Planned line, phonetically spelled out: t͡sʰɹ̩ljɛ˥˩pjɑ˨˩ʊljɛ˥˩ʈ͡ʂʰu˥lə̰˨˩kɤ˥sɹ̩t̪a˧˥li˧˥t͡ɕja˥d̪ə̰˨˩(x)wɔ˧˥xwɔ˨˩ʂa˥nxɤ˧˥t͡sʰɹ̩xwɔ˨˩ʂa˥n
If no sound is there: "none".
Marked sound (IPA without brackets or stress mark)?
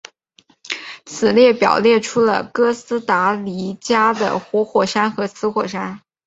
x